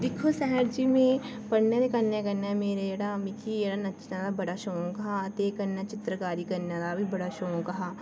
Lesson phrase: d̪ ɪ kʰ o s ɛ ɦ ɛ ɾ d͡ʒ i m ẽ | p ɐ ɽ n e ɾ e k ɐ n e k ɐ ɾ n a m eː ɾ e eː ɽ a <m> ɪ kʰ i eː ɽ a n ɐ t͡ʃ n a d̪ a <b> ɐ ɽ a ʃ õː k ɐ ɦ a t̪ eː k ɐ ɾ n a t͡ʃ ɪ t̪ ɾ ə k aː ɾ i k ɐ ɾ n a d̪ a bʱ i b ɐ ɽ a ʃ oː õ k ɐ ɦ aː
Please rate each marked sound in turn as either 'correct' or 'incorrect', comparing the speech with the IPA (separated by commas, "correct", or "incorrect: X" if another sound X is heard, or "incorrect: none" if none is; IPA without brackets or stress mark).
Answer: correct, correct